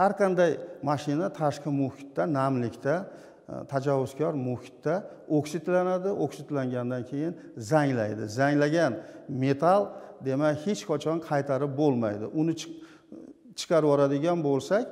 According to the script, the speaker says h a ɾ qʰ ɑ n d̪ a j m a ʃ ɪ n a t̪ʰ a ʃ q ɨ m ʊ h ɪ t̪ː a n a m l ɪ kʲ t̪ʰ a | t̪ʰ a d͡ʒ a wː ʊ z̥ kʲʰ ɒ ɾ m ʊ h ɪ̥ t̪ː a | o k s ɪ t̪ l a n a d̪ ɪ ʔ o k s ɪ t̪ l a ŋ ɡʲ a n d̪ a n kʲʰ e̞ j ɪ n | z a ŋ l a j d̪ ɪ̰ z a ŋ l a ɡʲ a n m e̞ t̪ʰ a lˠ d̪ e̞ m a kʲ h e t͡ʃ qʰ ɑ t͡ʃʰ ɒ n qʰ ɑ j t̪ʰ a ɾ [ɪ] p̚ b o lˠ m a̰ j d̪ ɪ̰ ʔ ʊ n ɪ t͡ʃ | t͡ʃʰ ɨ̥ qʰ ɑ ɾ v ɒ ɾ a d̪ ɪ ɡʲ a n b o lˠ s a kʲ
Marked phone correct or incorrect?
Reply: correct